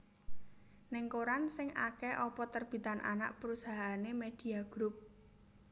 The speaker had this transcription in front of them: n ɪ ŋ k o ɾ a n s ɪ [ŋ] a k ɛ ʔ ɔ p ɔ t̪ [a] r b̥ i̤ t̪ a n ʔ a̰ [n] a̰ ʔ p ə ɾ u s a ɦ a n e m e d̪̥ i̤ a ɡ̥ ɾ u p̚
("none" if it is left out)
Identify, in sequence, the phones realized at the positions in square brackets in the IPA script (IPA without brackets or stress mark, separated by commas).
ŋ, ə, n